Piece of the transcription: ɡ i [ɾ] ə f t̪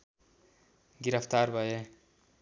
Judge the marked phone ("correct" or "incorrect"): correct